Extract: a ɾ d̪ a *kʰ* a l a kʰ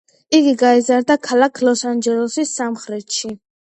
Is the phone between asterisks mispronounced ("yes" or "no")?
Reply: no